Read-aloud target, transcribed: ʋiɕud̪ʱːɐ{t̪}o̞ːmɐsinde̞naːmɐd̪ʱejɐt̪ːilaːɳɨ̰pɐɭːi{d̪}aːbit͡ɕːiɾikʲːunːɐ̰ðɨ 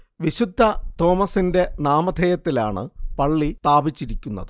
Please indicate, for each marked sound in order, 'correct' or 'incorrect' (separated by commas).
correct, incorrect